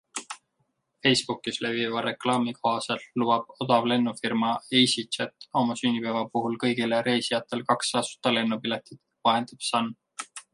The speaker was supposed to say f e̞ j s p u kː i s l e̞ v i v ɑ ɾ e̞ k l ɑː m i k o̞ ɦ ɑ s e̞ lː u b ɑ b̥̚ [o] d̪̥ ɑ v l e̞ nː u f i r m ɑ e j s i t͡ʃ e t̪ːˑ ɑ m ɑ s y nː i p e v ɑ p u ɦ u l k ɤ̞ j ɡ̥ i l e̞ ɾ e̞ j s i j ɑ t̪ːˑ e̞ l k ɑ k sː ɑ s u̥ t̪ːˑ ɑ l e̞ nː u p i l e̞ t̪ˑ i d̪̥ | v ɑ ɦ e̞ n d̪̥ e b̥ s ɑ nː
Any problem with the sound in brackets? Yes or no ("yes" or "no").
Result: no